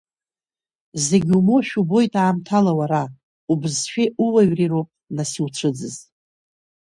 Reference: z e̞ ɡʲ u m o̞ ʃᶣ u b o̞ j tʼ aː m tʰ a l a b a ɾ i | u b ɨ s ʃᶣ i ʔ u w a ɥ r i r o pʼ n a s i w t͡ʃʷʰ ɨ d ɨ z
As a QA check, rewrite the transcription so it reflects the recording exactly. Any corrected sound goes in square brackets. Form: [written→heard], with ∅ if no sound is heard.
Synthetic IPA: z e̞ ɡʲ u m o̞ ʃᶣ u b o̞ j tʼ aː m tʰ a l a [b→w] a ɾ [i→a] | u b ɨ [s→z] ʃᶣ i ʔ u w a ɥ r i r o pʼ n a s i w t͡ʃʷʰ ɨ [d→d͡z] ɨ z